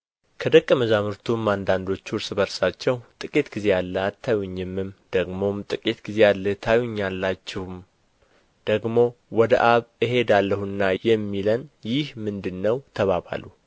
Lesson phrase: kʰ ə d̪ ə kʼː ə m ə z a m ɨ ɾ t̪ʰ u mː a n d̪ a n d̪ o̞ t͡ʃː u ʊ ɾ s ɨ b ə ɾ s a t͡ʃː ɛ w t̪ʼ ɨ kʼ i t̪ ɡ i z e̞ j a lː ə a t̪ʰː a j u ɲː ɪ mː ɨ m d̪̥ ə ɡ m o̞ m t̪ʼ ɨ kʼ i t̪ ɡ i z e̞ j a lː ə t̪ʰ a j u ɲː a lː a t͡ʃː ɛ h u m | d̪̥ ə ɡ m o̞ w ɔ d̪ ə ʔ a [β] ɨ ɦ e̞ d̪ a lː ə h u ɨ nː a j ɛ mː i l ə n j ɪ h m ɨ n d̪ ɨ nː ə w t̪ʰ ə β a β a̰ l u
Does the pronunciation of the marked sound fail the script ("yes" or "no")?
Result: no